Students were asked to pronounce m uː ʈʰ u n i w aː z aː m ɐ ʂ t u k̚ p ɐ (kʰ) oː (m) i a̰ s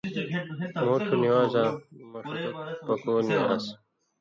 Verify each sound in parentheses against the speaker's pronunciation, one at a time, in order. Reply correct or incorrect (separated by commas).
incorrect, incorrect